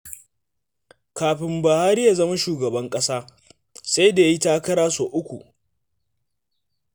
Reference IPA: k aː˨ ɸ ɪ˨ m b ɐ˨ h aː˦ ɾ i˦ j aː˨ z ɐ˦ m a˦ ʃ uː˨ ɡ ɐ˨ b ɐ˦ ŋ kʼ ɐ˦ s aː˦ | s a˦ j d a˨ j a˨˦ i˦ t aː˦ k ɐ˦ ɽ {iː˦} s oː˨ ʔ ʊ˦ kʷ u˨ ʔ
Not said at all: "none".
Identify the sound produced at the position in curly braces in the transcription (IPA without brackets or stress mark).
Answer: aː˦